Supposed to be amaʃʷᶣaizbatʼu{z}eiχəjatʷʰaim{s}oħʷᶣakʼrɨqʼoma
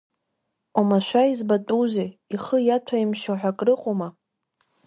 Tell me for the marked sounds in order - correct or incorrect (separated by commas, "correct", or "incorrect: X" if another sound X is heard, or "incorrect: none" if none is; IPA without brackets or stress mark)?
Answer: correct, incorrect: ʃ